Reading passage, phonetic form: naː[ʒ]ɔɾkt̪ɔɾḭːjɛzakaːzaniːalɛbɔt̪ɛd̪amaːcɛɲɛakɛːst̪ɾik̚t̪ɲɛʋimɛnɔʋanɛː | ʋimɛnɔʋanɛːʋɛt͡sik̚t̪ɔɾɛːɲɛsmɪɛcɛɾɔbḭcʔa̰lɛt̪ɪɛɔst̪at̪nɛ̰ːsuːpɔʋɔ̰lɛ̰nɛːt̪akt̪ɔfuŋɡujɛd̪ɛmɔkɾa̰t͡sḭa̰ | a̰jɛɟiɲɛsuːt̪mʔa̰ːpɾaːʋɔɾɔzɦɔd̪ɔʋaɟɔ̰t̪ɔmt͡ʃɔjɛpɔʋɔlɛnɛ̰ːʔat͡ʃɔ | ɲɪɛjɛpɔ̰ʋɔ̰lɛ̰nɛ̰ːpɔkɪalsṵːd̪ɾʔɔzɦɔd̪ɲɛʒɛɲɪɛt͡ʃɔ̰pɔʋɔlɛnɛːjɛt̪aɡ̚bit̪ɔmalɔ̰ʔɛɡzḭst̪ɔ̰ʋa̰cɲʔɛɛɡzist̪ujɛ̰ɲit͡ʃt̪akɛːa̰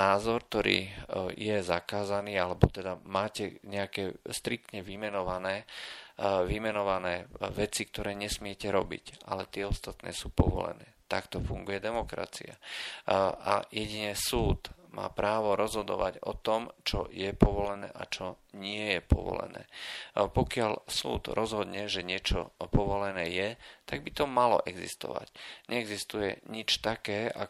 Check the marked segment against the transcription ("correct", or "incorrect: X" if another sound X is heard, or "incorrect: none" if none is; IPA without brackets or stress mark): incorrect: z